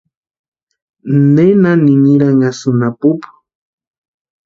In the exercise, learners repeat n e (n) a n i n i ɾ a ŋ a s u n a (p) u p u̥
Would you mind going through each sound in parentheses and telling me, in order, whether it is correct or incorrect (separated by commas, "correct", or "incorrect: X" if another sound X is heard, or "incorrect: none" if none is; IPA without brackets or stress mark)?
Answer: correct, correct